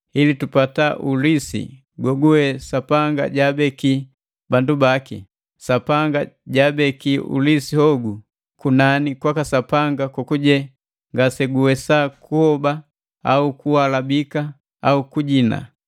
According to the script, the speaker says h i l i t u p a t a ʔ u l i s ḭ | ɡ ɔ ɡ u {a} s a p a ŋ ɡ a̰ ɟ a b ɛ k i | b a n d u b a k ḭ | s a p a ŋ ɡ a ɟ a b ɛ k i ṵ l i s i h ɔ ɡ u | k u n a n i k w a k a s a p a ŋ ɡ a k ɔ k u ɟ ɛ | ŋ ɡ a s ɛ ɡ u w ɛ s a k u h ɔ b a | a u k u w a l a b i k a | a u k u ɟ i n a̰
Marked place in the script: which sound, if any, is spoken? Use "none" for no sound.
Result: ɛ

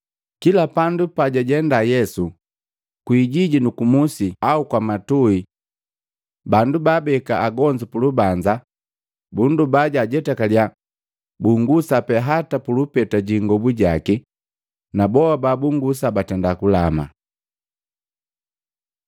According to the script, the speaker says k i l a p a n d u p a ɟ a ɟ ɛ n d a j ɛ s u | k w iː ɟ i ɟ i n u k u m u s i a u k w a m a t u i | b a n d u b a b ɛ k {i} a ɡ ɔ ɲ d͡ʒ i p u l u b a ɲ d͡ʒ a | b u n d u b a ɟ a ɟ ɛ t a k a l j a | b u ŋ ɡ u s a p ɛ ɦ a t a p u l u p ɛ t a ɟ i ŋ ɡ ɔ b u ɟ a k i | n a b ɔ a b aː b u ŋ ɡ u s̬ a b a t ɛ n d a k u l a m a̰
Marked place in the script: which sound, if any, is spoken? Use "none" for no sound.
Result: a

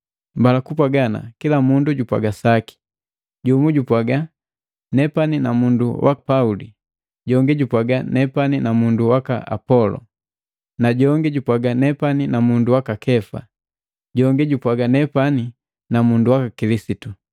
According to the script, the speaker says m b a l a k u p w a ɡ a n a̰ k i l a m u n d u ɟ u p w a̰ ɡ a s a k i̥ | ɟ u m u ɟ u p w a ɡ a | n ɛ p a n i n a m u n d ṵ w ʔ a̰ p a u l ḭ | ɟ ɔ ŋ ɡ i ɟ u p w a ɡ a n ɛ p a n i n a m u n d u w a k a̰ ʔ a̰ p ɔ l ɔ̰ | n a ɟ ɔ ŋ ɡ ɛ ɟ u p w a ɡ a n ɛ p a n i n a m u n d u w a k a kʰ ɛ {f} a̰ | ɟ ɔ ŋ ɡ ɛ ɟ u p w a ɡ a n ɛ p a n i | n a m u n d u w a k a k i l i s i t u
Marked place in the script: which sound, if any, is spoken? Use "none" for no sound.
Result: f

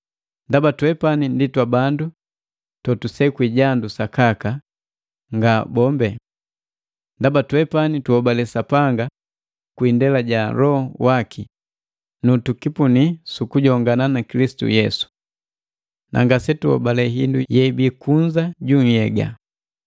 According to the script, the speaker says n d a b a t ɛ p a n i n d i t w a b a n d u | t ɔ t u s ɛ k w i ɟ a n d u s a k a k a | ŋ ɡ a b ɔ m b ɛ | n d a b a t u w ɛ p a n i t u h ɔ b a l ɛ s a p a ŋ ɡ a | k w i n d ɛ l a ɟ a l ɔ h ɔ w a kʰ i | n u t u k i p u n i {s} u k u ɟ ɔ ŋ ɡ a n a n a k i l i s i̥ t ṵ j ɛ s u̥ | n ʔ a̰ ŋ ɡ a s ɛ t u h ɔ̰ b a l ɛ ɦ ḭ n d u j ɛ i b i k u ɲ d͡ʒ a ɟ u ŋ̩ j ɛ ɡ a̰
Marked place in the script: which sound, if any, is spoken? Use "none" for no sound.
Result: s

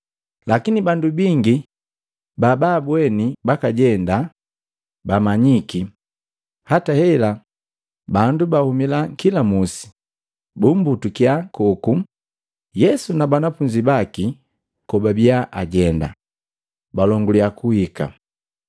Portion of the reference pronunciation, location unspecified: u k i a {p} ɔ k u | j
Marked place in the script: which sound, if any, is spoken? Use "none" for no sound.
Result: k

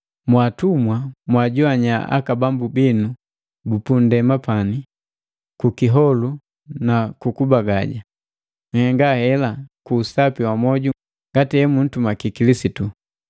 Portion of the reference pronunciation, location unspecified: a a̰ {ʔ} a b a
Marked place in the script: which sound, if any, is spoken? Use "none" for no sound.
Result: k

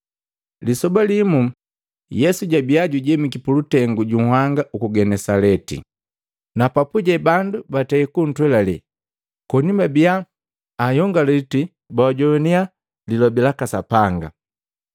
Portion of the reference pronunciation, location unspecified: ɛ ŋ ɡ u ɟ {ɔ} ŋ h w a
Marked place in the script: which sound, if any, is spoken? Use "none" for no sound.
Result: u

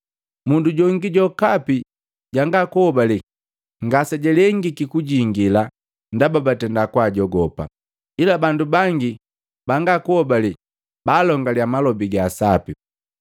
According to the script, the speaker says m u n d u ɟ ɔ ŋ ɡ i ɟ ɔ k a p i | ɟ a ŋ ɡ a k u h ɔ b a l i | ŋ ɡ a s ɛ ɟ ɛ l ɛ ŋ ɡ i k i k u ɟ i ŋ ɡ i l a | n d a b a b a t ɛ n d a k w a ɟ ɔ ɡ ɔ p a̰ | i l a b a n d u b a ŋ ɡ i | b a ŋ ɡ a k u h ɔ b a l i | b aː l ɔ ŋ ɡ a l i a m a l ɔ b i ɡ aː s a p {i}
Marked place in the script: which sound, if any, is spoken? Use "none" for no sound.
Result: i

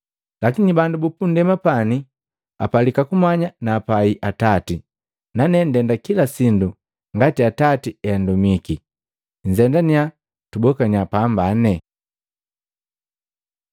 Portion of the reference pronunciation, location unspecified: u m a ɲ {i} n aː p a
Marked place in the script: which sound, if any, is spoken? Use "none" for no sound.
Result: a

